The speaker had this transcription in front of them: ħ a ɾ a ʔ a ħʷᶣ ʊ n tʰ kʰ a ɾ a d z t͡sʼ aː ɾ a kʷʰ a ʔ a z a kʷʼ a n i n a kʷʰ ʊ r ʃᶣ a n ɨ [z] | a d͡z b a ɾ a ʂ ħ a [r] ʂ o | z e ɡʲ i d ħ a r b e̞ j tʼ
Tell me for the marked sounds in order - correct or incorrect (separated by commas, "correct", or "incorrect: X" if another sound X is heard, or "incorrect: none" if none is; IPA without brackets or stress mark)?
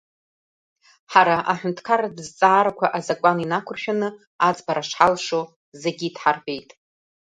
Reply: incorrect: none, incorrect: l